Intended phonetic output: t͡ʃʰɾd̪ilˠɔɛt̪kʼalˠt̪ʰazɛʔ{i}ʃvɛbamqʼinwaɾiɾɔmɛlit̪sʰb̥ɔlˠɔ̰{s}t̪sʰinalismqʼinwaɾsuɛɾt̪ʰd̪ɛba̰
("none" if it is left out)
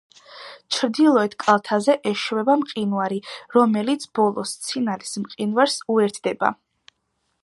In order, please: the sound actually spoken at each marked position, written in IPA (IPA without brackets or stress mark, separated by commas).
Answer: ɛ, s